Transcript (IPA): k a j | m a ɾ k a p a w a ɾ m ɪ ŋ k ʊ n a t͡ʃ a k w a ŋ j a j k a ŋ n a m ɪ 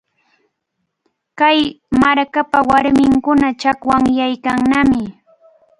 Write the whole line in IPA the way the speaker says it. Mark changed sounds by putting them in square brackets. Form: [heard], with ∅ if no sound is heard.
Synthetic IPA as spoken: k a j | m a ɾ k a p a w a ɾ m ɪ ŋ k ʊ n a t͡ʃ a k w a ŋ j a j k a ŋ n a m ɪ